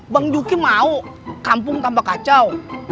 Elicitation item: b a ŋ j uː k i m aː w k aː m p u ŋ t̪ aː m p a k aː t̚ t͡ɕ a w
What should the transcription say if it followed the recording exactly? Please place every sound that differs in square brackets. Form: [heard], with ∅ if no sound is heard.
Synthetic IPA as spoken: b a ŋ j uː k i m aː w k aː m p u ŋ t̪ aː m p a k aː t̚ t͡ɕ a w